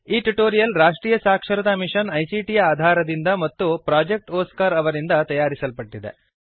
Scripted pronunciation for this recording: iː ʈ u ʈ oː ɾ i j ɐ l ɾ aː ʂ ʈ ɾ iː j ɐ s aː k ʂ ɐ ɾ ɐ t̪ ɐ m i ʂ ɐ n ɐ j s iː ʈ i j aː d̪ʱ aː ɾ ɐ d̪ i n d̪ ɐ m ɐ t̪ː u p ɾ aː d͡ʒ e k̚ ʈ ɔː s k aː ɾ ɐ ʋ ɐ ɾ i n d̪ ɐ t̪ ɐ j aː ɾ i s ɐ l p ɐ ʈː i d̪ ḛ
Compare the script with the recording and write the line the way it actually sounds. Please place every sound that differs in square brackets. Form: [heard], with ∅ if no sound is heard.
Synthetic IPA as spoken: iː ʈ u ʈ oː ɾ i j ɐ l ɾ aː ʂ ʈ ɾ iː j ɐ s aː k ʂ ɐ ɾ ɐ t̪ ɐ m i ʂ ɐ n ɐ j s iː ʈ i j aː d̪ʱ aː ɾ ɐ d̪ i n d̪ ɐ m ɐ t̪ː u p ɾ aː d͡ʒ e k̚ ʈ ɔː s k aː ɾ ɐ ʋ ɐ ɾ i n d̪ ɐ t̪ ɐ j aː ɾ i s ɐ l p ɐ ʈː i d̪ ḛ